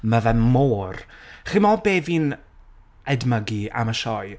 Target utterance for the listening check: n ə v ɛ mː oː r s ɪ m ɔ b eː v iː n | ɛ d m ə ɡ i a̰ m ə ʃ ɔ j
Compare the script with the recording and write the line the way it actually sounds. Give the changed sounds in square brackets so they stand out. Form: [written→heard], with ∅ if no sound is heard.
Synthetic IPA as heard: [n→m] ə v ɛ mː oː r [s→χ] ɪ m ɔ b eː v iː n | ɛ d m ə ɡ i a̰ m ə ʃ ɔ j